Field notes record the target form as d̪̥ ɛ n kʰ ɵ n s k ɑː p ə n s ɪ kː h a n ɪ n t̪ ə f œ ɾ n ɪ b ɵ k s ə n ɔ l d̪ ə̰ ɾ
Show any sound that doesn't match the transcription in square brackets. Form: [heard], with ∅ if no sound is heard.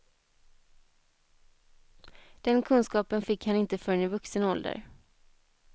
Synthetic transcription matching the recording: d̪̥ ɛ n kʰ ɵ n s k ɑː p ə n [f] ɪ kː h a n ɪ n t̪ ə f œ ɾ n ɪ [v] ɵ k s ə n ɔ l d̪ ə̰ ɾ